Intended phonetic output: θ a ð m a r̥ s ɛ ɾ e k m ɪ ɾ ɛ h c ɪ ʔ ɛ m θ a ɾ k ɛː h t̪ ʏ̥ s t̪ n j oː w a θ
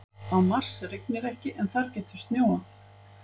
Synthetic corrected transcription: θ a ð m a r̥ s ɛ ɾ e k n ɪ ɾ ɛ h c ɪ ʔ ɛ n θ a ɾ c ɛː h t̪ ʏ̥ s t̪ n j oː w a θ